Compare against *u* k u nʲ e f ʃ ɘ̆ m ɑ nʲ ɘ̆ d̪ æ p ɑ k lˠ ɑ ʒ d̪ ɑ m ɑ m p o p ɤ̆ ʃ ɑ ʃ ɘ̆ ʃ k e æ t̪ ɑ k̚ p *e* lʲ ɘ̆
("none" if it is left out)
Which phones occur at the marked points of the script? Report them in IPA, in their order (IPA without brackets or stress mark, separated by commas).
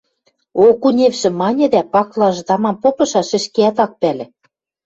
o, æ